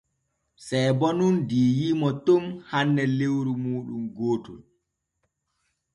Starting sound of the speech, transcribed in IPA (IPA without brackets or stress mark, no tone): s